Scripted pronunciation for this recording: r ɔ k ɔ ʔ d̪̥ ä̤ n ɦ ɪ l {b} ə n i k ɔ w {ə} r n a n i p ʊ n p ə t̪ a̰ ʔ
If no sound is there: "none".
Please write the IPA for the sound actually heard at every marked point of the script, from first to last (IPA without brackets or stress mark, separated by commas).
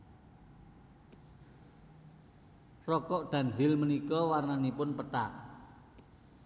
m, a